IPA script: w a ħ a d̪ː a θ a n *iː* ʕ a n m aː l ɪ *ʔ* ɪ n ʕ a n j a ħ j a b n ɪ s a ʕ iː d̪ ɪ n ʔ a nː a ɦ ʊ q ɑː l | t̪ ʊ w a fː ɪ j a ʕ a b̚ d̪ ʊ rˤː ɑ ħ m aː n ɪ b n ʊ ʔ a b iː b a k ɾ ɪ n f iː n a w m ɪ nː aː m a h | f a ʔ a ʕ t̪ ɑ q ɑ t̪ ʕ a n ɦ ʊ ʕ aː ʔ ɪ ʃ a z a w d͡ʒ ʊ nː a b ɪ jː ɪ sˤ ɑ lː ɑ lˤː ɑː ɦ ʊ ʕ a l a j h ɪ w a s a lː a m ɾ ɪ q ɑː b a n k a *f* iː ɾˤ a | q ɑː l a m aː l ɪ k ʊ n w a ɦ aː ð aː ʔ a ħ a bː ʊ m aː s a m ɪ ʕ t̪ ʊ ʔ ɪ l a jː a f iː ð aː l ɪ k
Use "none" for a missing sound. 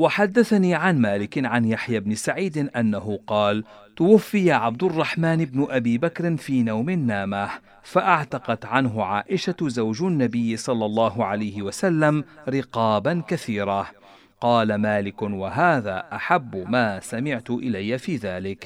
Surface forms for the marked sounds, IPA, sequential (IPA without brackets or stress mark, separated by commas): iː, k, θ